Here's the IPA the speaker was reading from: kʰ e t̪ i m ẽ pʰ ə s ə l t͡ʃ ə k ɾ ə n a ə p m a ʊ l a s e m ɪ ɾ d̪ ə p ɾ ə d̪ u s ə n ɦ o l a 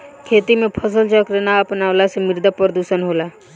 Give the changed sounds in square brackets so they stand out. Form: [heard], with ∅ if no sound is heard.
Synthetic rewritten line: kʰ e t̪ i m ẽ pʰ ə s ə l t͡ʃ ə k ɾ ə n a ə p [n] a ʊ l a s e m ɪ ɾ d̪ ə p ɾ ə d̪ u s ə n ɦ o l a